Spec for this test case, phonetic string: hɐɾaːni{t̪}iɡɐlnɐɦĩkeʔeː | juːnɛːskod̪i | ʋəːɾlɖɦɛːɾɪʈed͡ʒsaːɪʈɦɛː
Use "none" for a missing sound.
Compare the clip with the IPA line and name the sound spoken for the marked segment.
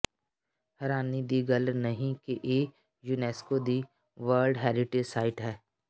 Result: d̪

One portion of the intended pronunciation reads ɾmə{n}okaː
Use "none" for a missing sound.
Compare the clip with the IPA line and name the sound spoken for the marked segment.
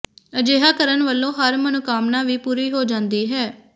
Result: n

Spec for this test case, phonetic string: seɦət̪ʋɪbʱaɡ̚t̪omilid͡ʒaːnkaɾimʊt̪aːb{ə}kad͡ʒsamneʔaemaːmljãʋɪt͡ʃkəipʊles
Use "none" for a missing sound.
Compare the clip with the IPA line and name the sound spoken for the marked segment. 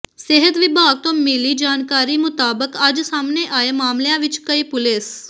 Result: ə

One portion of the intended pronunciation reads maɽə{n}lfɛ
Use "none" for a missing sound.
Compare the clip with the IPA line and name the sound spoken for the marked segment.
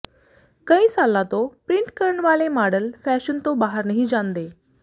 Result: none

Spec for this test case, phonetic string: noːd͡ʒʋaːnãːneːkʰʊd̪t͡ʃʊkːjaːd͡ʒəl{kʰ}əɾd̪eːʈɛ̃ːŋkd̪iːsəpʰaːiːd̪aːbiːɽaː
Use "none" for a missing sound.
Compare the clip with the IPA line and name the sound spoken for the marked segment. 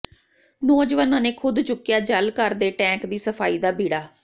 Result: k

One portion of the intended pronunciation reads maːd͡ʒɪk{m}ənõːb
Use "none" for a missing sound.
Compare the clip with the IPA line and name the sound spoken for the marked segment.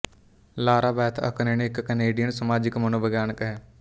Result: m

